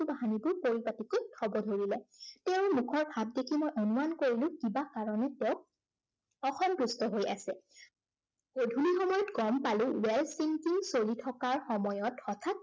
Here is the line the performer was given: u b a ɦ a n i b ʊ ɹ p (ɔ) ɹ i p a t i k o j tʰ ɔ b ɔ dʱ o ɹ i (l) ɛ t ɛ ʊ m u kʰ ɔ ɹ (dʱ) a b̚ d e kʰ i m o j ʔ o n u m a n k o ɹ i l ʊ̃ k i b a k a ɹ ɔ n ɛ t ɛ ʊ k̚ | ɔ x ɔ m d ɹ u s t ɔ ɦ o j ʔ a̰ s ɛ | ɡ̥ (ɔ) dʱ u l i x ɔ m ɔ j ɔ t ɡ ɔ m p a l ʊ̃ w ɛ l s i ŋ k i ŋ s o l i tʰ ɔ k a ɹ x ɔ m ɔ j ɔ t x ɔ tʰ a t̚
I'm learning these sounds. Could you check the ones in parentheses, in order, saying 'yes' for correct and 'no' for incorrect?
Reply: no, yes, no, no

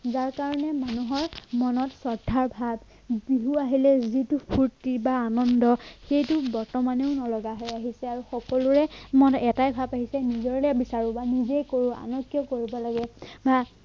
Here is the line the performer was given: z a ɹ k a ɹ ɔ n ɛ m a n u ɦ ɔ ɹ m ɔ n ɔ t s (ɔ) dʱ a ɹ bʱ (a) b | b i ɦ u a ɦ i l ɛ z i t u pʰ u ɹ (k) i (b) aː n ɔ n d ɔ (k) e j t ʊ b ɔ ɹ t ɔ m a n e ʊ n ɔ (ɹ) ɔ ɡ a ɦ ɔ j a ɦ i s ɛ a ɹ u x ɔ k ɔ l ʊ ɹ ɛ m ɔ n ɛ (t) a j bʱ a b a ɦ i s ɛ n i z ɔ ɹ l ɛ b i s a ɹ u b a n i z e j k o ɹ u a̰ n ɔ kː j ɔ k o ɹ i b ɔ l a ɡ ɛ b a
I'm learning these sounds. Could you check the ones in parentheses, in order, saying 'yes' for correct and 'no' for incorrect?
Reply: yes, yes, no, yes, no, no, yes

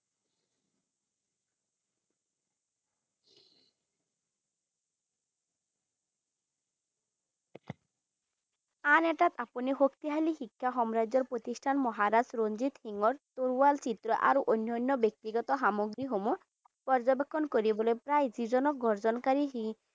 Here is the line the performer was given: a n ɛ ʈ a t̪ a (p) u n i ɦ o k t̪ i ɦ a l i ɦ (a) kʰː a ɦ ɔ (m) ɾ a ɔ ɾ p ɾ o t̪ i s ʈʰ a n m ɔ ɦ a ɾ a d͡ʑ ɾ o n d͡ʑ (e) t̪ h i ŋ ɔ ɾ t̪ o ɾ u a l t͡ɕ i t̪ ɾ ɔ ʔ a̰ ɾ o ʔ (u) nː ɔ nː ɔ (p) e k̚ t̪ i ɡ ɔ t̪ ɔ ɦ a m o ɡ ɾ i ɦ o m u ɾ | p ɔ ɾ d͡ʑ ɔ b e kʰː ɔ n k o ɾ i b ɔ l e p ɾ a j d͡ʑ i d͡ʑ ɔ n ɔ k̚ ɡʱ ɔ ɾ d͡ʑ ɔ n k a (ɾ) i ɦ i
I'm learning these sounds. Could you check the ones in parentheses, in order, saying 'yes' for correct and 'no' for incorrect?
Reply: yes, no, yes, no, no, no, yes

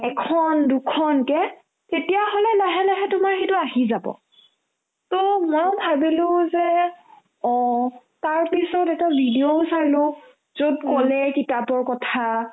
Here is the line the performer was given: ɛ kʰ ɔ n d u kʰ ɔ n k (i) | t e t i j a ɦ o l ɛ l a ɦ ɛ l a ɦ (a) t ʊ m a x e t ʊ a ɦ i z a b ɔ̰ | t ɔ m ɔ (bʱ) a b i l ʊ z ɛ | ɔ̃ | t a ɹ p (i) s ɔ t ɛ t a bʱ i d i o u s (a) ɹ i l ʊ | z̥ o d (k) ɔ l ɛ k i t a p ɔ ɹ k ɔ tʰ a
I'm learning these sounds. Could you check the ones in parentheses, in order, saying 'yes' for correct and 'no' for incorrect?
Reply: no, no, yes, yes, yes, yes

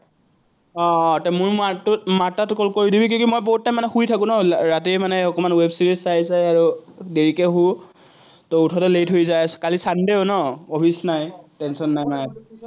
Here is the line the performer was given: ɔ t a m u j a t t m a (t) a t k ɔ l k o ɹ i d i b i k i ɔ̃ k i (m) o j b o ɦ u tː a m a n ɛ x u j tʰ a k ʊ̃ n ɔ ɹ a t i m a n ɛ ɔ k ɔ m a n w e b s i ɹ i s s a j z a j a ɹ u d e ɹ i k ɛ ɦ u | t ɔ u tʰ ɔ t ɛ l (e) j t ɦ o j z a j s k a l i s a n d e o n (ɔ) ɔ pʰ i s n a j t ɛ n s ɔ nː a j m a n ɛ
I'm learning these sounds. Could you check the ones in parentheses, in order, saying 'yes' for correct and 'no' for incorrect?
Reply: yes, yes, yes, yes

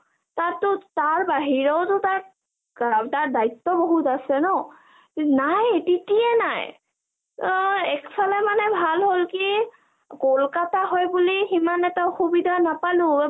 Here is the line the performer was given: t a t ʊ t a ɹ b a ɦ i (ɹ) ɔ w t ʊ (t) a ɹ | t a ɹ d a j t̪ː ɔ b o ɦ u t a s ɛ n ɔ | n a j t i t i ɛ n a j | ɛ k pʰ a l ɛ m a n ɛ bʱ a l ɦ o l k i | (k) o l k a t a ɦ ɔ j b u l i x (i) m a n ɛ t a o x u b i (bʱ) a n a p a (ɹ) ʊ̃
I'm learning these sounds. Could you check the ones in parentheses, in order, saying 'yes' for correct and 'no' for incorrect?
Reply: yes, yes, yes, yes, no, no

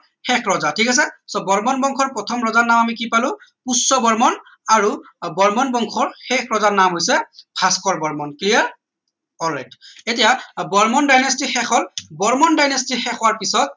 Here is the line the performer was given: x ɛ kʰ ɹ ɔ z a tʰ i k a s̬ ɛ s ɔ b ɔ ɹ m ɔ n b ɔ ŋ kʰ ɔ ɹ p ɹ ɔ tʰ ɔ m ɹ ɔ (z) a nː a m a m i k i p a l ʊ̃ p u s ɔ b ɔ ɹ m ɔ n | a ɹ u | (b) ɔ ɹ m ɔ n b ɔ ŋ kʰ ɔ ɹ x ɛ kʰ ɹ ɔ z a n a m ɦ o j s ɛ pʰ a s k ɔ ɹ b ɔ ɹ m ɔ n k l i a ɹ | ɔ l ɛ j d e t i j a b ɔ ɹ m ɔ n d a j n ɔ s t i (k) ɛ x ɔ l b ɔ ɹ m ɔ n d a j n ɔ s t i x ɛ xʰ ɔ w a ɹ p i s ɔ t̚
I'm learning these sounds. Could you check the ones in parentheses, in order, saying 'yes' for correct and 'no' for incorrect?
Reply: yes, yes, no

